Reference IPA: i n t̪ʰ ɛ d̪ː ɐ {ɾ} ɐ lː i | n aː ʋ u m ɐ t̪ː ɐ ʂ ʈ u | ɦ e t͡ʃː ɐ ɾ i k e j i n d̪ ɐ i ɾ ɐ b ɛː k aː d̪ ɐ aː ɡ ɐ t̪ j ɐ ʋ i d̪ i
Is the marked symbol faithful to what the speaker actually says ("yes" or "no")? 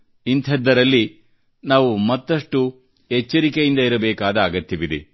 yes